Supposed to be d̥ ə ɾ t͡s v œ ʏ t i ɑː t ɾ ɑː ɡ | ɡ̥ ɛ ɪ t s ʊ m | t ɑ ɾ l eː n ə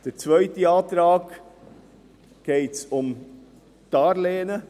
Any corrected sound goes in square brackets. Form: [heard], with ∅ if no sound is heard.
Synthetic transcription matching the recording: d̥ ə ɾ t͡s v œ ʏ t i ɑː t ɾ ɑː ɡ | ɡ̥ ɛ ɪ t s ʊ m | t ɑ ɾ l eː n ə